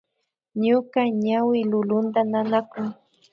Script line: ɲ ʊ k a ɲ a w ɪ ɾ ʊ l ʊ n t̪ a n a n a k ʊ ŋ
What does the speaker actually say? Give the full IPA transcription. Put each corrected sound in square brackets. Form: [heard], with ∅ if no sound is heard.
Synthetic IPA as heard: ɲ ʊ k a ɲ a w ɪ [l] ʊ l ʊ n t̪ a n a n a k ʊ ŋ